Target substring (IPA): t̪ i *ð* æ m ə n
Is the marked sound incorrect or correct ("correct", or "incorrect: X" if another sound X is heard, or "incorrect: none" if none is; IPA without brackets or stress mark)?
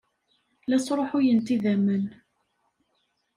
correct